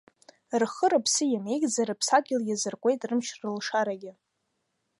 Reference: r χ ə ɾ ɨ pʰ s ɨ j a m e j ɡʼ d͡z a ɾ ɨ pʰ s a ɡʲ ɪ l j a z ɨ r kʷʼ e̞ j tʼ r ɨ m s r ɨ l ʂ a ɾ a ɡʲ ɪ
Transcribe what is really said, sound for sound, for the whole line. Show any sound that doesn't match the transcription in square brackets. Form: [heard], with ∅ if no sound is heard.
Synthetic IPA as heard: r χ ə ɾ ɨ pʰ s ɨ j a m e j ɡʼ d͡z a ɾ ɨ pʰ s a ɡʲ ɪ l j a z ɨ r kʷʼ e̞ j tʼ r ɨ m [ʃ] r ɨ l ʂ a ɾ a ɡʲ ɪ

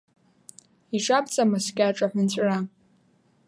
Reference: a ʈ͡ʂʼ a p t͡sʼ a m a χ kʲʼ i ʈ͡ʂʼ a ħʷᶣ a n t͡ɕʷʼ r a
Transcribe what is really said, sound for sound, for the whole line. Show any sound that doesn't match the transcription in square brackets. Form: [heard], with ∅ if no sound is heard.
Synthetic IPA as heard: [i] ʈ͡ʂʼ a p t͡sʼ a m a [s] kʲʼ [a] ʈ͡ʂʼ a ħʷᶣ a n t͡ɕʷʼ r a

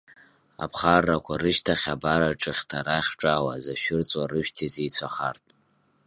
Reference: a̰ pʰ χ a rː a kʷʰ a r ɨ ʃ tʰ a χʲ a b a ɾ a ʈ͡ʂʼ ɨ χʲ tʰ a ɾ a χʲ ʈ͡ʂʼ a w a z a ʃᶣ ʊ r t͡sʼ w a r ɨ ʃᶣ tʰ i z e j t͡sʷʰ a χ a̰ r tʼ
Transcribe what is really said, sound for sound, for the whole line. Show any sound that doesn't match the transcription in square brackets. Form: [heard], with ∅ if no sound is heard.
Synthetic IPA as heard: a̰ pʰ χ a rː a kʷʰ a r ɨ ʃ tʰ a χʲ a b a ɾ a ʈ͡ʂʼ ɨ χʲ tʰ a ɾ a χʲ ʈ͡ʂʼ a w a z a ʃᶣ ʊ r t͡sʼ w a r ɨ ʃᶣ tʰ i z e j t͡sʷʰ a χ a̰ r tʼ

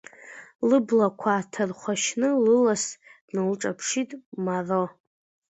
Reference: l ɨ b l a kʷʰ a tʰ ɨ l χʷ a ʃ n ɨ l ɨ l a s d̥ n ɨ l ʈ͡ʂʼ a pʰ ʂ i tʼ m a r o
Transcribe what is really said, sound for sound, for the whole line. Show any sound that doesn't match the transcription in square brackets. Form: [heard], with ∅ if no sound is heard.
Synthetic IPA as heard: l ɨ b l a kʷʰ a tʰ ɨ [r] χʷ a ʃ n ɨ l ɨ l a s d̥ n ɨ l ʈ͡ʂʼ a pʰ ʂ i tʼ m a r o

